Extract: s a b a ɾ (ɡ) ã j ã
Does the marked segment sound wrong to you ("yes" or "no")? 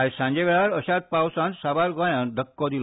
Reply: no